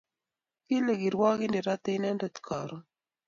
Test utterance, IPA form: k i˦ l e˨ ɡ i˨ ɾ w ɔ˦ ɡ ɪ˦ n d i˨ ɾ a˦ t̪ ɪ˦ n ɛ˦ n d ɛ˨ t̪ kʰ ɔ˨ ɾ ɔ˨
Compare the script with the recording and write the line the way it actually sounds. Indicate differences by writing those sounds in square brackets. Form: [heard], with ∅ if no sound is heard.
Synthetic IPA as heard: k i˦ l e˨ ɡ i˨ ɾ w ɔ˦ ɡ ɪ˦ n d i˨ ɾ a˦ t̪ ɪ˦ n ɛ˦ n d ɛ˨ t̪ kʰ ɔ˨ ɾ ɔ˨